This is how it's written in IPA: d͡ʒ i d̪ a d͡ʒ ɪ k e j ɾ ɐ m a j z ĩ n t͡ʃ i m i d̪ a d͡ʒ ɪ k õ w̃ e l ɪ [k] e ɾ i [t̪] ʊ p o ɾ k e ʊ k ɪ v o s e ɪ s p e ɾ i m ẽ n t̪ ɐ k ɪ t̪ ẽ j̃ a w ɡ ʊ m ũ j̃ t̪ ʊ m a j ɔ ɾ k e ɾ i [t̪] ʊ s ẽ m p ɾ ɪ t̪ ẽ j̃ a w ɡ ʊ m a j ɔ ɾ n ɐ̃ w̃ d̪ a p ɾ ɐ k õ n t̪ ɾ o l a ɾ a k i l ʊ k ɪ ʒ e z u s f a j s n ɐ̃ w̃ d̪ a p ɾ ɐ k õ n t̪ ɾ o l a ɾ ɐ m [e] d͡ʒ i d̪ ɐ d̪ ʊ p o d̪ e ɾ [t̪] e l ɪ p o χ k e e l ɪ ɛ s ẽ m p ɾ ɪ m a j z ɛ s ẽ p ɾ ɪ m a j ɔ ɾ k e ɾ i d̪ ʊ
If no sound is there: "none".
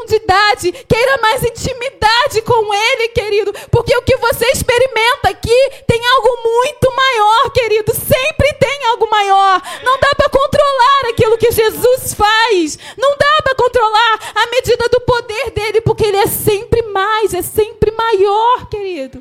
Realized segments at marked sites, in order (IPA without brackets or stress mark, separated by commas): k, d̪, d̪, e, d̪